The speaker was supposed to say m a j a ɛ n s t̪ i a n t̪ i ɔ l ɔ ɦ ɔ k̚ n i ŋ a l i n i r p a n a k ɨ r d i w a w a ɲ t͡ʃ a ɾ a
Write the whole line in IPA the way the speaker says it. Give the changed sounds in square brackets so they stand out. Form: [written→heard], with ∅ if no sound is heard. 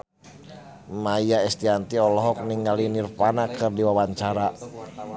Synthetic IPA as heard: m a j a ɛ [n→∅] s t̪ i a n t̪ i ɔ l ɔ ɦ ɔ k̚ n i ŋ a l i n i r p a n a k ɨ r d i w a w a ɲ t͡ʃ a ɾ a